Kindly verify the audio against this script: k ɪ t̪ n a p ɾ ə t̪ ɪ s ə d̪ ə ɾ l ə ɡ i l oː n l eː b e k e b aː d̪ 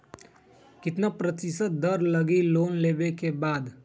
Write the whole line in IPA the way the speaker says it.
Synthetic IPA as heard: k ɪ t̪ n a p ɾ ə t̪ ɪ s ə d̪ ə ɾ l ə ɡ i l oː n l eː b e k e b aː d̪